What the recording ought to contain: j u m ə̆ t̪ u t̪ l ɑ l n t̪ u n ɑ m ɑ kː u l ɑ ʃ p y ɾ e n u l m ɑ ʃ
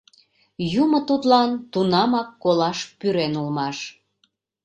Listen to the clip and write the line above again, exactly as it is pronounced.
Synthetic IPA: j u m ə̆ t̪ u t̪ l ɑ n t̪ u n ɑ m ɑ kː o l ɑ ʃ p y ɾ e n u l m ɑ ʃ